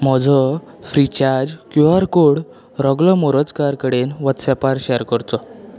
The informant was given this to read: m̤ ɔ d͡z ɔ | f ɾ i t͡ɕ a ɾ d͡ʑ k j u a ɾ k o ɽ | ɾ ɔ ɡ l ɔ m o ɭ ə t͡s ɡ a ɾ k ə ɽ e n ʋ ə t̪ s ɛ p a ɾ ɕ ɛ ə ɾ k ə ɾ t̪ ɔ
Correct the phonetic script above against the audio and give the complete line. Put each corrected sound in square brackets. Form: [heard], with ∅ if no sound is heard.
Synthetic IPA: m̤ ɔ d͡z ɔ | f ɾ i t͡ɕ a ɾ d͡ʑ k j u a ɾ k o ɽ | ɾ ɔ ɡ l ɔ m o [ɾ] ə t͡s [k] a ɾ k ə ɽ e n ʋ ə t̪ s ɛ p a ɾ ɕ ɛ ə ɾ k ə ɾ t̪ ɔ